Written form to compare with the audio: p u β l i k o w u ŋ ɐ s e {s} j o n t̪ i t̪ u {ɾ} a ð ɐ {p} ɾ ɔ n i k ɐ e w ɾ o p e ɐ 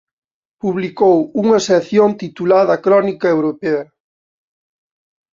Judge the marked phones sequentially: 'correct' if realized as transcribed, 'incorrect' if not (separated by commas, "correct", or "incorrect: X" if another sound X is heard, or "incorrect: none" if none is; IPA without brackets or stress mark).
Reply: incorrect: θ, incorrect: l, incorrect: k